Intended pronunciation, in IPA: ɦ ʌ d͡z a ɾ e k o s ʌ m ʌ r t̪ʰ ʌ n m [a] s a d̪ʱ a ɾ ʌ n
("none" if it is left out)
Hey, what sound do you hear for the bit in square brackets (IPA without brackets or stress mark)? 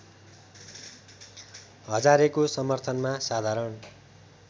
a